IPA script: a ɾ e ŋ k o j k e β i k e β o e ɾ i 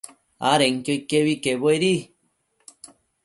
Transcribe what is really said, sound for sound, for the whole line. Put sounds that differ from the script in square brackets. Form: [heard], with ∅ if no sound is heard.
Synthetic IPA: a ɾ e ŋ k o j k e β i k e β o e ɾ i